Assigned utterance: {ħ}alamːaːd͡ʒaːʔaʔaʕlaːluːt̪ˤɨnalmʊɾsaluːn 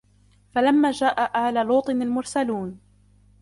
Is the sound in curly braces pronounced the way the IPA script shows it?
no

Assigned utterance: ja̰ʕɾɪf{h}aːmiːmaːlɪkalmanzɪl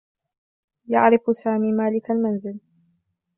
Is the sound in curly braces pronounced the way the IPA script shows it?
no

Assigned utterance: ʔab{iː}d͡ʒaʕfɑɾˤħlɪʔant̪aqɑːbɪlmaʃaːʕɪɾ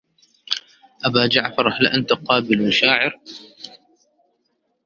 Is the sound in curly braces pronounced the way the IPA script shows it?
no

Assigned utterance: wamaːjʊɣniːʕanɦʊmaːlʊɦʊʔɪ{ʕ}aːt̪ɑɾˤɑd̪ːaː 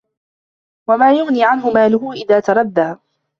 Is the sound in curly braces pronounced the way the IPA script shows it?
no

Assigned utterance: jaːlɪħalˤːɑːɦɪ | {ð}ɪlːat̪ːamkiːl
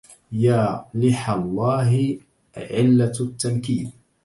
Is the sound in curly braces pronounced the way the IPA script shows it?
no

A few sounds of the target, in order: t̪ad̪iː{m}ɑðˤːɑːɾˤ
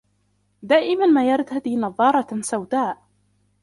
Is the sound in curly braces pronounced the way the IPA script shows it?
no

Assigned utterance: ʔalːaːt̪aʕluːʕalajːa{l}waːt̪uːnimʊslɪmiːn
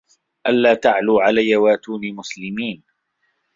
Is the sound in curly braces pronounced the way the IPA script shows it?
no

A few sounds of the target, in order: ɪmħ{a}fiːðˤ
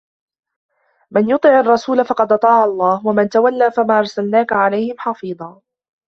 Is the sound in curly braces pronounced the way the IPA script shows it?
no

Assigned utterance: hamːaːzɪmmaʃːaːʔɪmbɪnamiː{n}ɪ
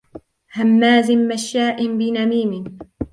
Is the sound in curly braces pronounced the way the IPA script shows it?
no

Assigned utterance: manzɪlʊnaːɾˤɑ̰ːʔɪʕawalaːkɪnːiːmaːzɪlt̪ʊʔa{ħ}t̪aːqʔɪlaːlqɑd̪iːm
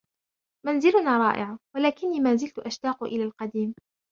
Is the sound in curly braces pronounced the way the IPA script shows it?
no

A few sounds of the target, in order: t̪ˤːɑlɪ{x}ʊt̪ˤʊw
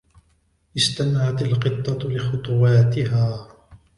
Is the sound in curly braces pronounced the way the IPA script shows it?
yes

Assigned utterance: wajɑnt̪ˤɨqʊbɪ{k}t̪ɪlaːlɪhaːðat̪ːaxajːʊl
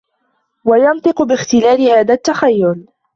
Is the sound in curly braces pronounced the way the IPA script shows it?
no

